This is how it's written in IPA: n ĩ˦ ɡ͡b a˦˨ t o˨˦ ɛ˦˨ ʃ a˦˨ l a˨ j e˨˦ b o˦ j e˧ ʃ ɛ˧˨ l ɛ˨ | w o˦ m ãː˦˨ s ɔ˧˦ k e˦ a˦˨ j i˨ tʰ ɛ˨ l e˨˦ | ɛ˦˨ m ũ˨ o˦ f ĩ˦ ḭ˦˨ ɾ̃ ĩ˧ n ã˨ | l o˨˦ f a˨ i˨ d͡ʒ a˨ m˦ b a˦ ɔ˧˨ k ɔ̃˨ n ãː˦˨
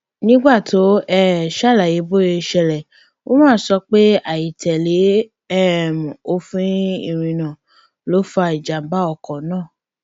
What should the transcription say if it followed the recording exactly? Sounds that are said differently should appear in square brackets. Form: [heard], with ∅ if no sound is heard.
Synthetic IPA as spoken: n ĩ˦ ɡ͡b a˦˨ t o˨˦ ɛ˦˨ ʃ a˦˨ l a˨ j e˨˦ b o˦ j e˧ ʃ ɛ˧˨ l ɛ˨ | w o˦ m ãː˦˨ s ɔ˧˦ [k͡p] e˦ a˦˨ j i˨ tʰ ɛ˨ l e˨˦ | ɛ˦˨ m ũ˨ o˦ f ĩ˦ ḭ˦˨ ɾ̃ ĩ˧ n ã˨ | l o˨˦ f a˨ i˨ d͡ʒ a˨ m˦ b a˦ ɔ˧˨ k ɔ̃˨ n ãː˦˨